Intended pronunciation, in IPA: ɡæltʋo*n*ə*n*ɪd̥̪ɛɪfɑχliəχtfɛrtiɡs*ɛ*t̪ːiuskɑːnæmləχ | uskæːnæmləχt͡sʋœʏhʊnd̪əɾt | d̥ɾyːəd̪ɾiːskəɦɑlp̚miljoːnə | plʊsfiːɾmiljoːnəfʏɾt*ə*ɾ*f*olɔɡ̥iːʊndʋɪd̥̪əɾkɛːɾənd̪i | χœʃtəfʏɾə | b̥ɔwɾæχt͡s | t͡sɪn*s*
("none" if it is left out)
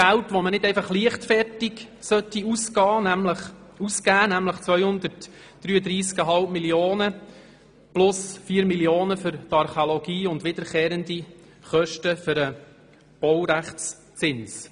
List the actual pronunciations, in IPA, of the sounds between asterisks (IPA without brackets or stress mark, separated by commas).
m, n, œ, ɑ, χ, s